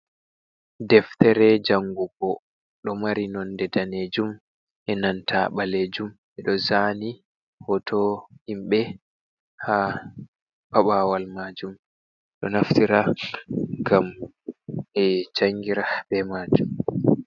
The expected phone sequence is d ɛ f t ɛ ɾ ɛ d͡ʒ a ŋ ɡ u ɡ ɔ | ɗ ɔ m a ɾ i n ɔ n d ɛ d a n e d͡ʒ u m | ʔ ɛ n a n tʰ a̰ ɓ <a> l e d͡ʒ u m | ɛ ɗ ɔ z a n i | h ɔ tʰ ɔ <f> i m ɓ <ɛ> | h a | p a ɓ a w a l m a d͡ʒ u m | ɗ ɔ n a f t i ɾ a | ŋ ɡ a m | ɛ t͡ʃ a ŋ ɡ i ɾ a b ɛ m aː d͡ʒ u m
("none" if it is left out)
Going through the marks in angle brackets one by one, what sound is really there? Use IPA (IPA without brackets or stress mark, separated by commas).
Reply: a, h, ɛ